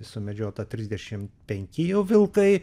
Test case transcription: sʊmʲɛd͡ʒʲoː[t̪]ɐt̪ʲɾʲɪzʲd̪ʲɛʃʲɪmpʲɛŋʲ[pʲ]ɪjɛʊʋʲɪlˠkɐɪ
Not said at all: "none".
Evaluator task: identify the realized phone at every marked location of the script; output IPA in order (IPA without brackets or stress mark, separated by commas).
t̪, kʲ